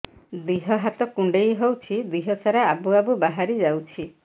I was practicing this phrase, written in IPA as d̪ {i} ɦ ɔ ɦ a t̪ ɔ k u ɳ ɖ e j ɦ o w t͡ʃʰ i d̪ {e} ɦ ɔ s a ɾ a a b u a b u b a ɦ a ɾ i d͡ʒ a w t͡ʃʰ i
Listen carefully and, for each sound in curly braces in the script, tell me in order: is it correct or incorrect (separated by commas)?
correct, incorrect